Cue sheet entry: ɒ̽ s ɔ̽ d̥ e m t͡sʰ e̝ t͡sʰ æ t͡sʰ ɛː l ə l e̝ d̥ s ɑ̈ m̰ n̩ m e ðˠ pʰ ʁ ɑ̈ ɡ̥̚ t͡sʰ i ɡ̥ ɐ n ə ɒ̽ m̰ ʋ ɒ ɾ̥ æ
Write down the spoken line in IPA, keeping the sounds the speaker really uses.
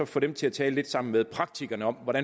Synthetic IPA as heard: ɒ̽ f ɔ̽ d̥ e m t͡sʰ e̝ æ t͡sʰ ɛː l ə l e̝ d̥ s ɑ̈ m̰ n̩ m e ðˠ pʰ ʁ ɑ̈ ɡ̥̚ t͡sʰ i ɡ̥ ɐ n ə ɒ̽ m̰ ʋ ɒ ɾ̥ æ

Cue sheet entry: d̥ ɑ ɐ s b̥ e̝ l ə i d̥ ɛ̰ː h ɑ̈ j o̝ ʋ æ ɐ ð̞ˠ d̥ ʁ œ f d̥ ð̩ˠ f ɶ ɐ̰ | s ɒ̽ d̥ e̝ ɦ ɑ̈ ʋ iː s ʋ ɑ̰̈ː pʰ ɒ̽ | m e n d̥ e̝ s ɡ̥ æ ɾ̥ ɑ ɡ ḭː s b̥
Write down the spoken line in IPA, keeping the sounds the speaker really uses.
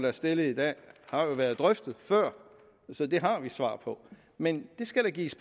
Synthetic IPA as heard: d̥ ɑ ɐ s d̥ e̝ l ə i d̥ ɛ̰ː h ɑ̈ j o̝ ʋ æ ɐ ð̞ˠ d̥ ʁ œ f d̥ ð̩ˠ f ɶ ɐ̰ | s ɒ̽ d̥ e̝ ɦ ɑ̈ ʋ i s ʋ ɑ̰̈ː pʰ ɒ̽ | m e n d̥ e̝ s ɡ̥ æ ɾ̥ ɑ ɡ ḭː s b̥

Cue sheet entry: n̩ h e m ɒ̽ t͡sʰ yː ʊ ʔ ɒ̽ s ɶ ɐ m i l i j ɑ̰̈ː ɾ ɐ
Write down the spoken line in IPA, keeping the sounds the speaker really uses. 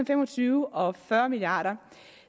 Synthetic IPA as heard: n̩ f e m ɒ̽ t͡sʰ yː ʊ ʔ ɒ̽ f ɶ ɐ m i l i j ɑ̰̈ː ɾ ɐ

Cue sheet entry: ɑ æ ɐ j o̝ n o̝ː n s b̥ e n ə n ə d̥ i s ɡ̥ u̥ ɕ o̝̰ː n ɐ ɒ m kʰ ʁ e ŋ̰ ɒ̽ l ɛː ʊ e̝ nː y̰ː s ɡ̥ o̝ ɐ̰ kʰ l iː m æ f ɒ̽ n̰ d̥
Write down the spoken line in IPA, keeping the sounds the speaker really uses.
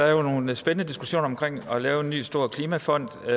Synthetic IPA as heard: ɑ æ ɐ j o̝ n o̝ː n s b̥ e n ə n ə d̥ i s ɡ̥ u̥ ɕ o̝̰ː n ɐ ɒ m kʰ ʁ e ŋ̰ ɒ̽ l ɛː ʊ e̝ nː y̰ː s d̥ o̝ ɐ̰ kʰ l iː m æ f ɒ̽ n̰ d̥

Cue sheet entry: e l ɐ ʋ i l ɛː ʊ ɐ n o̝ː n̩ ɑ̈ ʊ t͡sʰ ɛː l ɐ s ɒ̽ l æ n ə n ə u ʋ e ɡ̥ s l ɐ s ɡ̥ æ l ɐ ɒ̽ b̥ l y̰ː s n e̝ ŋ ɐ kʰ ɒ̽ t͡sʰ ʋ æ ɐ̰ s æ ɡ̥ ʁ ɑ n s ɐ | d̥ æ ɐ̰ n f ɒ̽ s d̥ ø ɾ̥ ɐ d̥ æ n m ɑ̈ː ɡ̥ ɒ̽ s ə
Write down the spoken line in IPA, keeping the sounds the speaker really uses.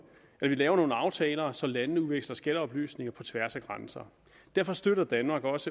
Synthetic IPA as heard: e l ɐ ʋ i l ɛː ʊ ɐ n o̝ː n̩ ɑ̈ ʊ t͡sʰ ɛː l ɐ s ɒ̽ l æ n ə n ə u ʋ e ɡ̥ s l ɐ s ɡ̥ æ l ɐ ɒ̽ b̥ l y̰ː s n e̝ ŋ ɐ pʰ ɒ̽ t͡sʰ ʋ æ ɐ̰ s æ ɡ̥ ʁ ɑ n s ɐ | d̥ æ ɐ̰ f ɒ̽ s d̥ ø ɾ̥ ɐ d̥ æ n m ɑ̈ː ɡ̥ ɒ̽ s ə

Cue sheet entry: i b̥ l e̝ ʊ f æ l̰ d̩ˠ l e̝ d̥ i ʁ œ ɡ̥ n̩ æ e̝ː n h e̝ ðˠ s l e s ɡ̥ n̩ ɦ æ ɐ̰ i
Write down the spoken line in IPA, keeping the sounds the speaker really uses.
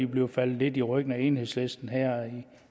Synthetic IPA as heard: i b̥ l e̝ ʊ f æ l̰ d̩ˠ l e̝ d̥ i ʁ œ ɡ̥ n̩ æ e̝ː n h e̝ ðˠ s l e s d̥ n̩ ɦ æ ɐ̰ i

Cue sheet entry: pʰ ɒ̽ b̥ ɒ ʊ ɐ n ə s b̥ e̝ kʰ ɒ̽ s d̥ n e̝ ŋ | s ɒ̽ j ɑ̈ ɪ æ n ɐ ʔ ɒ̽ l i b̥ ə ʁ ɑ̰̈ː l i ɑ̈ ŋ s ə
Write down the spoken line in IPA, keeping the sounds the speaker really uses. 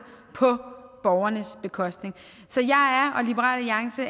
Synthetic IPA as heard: pʰ ɒ̽ b̥ ɒ ʊ ɐ n ə s b̥ e̝ kʰ ɒ̽ s d̥ n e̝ ŋ | s ɒ̽ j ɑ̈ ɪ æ ɐ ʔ ɒ̽ l i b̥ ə ʁ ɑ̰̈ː l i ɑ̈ ŋ s ə

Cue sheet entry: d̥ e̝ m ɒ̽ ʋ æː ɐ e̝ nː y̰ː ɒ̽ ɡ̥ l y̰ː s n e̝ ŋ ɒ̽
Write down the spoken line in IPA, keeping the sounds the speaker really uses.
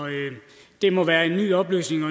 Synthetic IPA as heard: d̥ e̝ m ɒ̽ ʋ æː ɐ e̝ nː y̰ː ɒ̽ b̥ l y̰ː s n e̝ ŋ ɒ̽

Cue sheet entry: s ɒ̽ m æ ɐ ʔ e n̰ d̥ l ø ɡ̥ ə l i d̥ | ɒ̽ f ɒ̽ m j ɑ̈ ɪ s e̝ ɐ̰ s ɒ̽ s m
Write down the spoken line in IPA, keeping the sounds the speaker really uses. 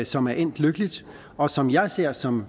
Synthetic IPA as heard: s ɒ̽ m æ ɐ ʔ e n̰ d̥ l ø ɡ̥ ə l i d̥ | ɒ̽ s ɒ̽ m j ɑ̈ ɪ s e̝ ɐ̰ s ɒ̽ m

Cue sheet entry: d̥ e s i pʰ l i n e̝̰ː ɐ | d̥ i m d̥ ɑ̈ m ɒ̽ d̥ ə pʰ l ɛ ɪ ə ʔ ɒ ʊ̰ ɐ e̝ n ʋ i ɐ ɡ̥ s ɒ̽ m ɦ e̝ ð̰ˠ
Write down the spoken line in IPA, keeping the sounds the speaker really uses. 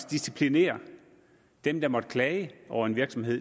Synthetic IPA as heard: d̥ i s i pʰ l i n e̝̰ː ɐ | d̥ e m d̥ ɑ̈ m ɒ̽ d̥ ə kʰ l ɛ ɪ ə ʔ ɒ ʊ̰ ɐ e̝ n ʋ i ɐ ɡ̥ s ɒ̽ m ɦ e̝ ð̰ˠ

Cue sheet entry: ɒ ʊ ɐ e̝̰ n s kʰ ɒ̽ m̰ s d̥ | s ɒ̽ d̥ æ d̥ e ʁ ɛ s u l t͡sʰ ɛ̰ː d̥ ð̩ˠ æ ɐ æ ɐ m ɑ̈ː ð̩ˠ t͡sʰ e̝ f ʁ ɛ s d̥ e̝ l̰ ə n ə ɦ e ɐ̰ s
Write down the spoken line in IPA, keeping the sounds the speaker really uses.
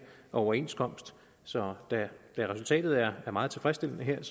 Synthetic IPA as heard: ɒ ʊ ɐ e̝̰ n s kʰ ɒ̽ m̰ s d̥ | s ɒ̽ d̥ æ d̥ æ ʁ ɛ s u l t͡sʰ ɛ̰ː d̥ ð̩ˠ æ ɐ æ ɐ m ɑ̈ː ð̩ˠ t͡sʰ e̝ f ʁ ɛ s d̥ e̝ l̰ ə n ə ɦ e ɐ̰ s

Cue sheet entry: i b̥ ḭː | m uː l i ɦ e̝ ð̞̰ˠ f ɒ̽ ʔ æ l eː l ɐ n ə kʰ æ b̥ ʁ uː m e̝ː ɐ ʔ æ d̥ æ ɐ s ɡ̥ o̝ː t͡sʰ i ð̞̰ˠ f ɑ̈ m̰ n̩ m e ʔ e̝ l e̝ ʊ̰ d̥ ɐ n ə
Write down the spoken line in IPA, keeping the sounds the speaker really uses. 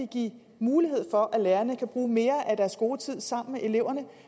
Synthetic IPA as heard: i ɡ̥ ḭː | m uː l i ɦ e̝ ð̞̰ˠ f ɒ̽ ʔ æ l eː ɐ n ə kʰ æ b̥ ʁ uː m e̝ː ɐ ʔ æ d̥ æ ɐ s ɡ̥ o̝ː t͡sʰ i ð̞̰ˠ s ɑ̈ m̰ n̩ m e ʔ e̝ l e̝ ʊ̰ ɐ n ə

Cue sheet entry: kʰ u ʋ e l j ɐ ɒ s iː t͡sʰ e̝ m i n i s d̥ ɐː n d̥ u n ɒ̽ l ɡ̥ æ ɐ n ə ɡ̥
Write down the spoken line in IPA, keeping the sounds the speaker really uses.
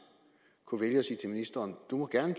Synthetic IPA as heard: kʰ u ʋ e l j ə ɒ s iː t͡sʰ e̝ m i n i s d̥ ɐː n d̥ u m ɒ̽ ɡ̥ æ ɐ n ə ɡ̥

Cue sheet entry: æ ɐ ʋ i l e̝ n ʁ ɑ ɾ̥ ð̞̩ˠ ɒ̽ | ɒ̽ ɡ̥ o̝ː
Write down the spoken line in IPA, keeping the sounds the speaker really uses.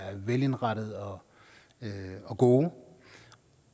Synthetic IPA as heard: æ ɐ ʋ e l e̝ n ʁ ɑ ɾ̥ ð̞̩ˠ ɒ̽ | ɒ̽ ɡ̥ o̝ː

